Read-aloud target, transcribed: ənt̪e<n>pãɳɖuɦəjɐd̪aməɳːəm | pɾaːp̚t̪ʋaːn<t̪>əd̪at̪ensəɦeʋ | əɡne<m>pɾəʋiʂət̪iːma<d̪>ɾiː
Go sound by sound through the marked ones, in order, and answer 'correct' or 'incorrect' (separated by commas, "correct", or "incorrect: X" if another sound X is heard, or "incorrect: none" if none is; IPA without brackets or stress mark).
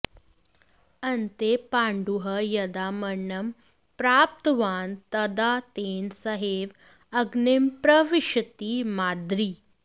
incorrect: none, correct, correct, correct